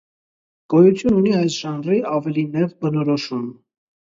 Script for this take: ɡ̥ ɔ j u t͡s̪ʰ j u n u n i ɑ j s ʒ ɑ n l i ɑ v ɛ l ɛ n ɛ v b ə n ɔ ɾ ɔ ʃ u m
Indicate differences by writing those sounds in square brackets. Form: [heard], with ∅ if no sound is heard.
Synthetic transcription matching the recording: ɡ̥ ɔ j u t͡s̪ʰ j u n u n i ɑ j s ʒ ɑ n [r] i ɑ v ɛ l [i] n ɛ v b ə n ɔ ɾ ɔ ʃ u m